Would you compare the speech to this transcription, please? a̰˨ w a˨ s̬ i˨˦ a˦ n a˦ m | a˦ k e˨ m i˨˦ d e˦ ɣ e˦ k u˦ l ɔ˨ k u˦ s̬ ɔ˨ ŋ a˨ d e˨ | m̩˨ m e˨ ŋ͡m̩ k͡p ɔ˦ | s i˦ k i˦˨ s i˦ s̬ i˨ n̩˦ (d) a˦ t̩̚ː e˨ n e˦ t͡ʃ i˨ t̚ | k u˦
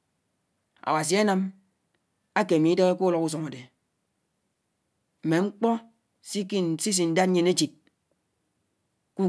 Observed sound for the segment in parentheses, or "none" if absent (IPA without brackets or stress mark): d